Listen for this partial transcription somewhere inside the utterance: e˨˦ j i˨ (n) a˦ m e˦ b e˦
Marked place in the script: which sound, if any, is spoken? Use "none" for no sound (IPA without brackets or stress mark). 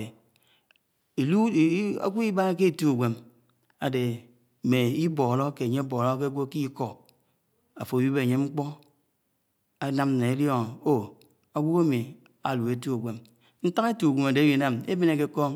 n